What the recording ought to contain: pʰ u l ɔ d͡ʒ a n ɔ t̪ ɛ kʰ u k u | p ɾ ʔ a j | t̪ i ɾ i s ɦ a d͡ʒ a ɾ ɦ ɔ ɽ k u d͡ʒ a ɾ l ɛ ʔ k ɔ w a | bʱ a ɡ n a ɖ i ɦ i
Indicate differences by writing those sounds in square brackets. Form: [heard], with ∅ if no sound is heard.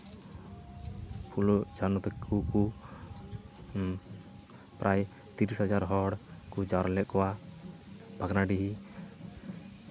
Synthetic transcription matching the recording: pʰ u l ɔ d͡ʒ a n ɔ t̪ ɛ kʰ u k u | p ɾ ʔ a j | t̪ i ɾ i s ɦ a d͡ʒ a ɾ ɦ ɔ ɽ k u d͡ʒ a ɾ l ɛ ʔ k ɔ w a | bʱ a ɡ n a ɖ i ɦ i